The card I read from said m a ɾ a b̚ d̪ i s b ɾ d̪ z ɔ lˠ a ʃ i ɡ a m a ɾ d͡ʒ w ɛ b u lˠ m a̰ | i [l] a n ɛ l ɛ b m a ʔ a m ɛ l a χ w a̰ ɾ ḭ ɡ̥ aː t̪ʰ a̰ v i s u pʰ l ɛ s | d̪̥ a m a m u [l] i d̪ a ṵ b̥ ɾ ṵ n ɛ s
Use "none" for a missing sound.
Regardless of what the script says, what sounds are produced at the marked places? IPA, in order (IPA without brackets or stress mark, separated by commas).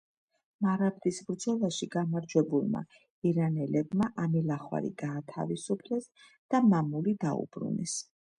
ɾ, l